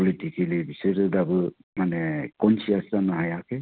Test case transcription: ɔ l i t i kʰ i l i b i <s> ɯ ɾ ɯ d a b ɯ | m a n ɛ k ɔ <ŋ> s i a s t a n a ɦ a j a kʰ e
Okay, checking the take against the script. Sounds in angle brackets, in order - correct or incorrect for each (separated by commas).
correct, incorrect